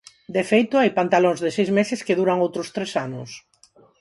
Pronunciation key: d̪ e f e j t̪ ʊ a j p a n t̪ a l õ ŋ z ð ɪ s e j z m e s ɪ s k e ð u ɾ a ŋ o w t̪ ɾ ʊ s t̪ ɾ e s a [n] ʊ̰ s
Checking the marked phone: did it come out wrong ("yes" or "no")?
no